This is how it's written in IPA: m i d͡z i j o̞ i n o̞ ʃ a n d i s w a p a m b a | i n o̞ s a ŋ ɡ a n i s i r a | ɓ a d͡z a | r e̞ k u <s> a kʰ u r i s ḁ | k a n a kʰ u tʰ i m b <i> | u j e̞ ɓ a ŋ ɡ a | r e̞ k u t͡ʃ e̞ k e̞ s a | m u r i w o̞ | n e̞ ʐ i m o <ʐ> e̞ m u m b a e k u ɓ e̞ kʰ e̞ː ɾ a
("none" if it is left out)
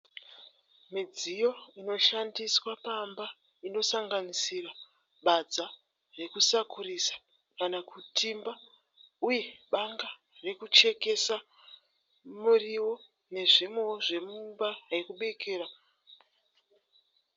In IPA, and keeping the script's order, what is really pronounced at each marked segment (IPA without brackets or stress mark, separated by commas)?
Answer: s, a, ʐ